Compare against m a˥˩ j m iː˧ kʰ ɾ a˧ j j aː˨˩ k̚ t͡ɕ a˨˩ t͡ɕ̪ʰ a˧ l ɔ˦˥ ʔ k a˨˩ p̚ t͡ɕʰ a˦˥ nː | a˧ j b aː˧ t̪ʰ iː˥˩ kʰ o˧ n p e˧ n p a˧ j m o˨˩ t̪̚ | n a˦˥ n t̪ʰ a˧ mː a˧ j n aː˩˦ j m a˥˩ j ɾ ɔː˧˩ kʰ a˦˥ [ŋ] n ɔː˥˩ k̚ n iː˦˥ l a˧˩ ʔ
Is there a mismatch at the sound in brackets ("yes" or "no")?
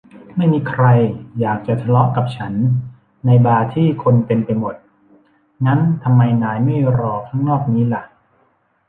no